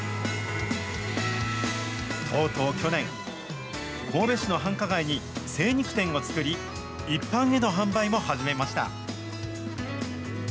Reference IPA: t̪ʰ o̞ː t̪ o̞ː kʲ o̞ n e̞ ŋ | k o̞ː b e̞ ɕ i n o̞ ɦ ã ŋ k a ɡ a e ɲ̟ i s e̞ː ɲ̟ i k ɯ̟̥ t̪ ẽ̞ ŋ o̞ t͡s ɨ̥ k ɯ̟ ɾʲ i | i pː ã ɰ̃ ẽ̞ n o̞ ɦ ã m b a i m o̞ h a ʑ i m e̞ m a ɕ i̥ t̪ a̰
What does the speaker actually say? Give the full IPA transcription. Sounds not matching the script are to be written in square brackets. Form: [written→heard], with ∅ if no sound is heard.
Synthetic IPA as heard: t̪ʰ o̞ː t̪ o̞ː kʲ o̞ n [e̞→ẽ̞] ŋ | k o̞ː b e̞ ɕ i n o̞ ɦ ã ŋ k a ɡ a [e→i] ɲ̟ i s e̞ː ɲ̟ i k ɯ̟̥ t̪ ẽ̞ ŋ o̞ t͡s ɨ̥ k ɯ̟ ɾʲ i | i pː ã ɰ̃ [ẽ̞→e̞] n o̞ ɦ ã m b a i m o̞ h a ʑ i m e̞ m a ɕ i̥ t̪ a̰